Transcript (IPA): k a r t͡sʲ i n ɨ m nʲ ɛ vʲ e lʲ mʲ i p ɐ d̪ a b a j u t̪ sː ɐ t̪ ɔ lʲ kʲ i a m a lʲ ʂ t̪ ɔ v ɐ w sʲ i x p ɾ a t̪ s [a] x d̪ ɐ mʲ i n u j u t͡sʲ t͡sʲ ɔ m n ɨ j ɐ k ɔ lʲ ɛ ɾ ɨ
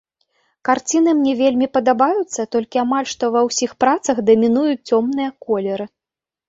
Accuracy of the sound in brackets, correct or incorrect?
incorrect: ɐ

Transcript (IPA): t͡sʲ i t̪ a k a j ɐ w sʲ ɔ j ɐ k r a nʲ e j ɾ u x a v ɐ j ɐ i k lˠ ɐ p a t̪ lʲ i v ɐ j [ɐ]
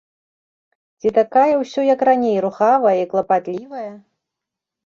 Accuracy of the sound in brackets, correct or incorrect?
correct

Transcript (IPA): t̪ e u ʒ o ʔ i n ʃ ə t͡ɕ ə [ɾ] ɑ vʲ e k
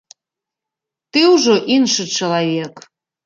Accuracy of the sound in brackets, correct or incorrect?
incorrect: l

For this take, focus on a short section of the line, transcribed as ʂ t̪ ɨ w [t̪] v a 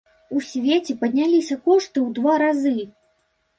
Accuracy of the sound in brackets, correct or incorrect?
incorrect: d̪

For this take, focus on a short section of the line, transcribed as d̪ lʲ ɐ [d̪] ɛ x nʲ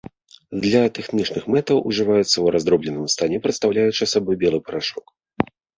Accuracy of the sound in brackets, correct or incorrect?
incorrect: t̪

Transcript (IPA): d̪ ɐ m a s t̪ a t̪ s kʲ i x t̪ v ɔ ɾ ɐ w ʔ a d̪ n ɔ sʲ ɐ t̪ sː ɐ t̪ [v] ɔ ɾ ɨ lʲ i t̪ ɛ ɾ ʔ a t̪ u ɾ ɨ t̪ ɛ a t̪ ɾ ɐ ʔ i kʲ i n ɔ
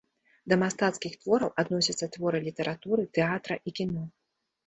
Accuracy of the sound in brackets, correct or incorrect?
correct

